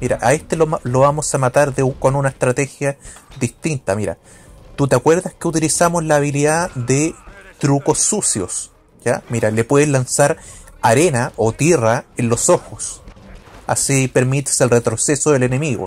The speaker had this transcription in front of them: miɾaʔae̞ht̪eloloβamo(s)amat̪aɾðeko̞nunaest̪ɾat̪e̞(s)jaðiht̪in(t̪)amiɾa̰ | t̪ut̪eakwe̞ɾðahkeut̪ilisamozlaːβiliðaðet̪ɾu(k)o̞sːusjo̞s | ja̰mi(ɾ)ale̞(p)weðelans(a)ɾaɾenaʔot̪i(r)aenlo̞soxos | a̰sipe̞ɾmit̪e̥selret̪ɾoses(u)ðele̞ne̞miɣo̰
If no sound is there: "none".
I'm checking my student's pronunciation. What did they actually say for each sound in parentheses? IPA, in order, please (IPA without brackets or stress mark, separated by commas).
s, x, t̪, k, ɾ, p, a, r, o